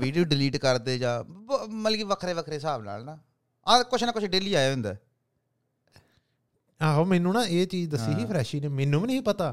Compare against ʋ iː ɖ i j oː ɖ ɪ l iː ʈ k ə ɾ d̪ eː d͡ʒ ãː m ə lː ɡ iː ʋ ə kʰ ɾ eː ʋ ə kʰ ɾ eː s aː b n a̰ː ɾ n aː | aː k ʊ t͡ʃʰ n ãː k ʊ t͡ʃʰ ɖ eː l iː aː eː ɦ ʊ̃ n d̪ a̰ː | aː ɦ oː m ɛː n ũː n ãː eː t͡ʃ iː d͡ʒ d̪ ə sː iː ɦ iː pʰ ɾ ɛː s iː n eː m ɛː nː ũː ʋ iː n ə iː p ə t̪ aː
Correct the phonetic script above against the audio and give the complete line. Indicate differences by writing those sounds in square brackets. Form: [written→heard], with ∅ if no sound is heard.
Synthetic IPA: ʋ iː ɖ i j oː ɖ ɪ l iː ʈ k ə ɾ d̪ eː d͡ʒ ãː m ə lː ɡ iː ʋ ə kʰ ɾ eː ʋ ə kʰ ɾ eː s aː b n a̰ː [ɾ→l] n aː | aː k ʊ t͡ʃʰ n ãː k ʊ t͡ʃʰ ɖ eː l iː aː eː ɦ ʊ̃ n d̪ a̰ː | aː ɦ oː m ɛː n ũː n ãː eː t͡ʃ iː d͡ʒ d̪ ə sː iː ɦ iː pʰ ɾ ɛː [s→ʃ] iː n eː m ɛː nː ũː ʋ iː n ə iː p ə t̪ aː